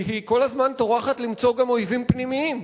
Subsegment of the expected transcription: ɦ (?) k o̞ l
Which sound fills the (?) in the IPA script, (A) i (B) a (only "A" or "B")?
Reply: A